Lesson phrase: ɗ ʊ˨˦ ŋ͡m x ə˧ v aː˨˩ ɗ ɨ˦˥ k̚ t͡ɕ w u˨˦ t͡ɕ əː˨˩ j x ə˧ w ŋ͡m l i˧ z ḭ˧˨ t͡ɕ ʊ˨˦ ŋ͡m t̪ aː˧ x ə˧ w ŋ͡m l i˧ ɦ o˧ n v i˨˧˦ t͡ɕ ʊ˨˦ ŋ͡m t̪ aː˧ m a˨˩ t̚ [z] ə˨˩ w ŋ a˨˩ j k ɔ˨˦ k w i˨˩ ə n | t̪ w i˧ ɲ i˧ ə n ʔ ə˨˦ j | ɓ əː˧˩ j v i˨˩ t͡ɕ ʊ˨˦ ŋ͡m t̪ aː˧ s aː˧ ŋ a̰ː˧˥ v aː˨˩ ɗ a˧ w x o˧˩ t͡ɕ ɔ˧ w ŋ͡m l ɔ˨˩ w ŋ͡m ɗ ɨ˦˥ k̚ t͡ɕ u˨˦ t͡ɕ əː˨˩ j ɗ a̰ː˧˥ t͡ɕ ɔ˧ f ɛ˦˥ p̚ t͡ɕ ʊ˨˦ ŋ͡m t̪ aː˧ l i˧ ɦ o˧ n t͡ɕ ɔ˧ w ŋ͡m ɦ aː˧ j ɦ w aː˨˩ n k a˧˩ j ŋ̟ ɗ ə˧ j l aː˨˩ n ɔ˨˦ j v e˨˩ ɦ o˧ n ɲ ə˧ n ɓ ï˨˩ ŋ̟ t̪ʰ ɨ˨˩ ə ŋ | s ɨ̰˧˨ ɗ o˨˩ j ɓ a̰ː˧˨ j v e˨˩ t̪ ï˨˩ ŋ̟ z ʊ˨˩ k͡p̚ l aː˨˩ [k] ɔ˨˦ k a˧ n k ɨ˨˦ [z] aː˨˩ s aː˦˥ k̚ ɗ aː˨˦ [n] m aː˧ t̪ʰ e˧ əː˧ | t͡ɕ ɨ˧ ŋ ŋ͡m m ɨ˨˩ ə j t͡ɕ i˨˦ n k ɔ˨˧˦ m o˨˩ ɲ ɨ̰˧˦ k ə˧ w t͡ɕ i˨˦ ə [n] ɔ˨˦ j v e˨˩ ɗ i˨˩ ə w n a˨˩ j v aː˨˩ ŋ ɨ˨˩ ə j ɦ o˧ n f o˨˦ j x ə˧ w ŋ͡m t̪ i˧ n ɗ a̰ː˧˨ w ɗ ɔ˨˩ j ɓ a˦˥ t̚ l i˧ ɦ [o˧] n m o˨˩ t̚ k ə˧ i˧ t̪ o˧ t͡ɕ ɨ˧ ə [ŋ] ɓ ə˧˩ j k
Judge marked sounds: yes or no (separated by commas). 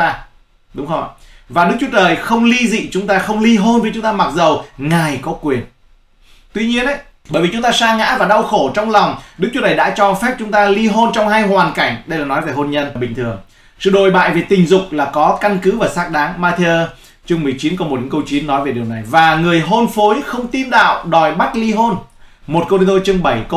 yes, yes, no, no, no, yes, yes